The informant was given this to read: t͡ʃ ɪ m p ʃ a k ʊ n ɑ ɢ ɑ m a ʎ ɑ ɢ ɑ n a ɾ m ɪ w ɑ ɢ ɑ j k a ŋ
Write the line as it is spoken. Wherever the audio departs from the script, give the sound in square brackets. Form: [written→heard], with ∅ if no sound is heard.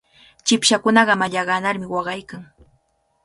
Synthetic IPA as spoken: t͡ʃ ɪ [m→∅] p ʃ a k ʊ n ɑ ɢ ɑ m a ʎ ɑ ɢ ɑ n a ɾ m ɪ w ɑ ɢ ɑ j k a ŋ